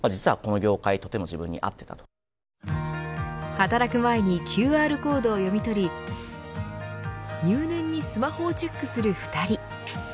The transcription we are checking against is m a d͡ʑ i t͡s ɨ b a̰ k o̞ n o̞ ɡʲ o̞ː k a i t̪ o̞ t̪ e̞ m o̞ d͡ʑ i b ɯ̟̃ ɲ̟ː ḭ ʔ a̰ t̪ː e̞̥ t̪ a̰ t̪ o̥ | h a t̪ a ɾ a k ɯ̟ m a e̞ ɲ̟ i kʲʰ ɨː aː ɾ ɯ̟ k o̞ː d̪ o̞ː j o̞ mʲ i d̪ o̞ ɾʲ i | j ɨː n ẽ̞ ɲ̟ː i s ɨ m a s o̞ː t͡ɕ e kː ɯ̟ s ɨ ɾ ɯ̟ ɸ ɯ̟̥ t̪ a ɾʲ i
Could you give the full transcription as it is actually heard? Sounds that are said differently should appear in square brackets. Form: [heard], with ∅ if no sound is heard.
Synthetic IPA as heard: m a d͡ʑ i t͡s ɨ [β] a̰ k o̞ n o̞ ɡʲ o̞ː k a i t̪ o̞ t̪ e̞ m o̞ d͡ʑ i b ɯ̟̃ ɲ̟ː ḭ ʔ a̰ t̪ː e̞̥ t̪ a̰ t̪ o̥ | h a t̪ a ɾ a k ɯ̟ m a e̞ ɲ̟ i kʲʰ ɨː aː ɾ ɯ̟ k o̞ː d̪ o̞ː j o̞ mʲ i [t̪] o̞ ɾʲ i | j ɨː n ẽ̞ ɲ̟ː i s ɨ m a [h] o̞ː t͡ɕ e kː ɯ̟ s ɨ ɾ ɯ̟ ɸ ɯ̟̥ t̪ a ɾʲ i